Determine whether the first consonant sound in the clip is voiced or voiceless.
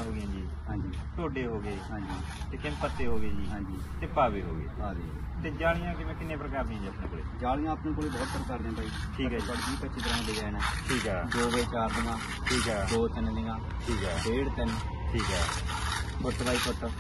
voiced